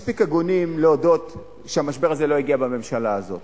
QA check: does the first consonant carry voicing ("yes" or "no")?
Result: no